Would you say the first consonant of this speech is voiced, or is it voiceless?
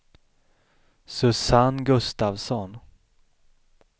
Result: voiceless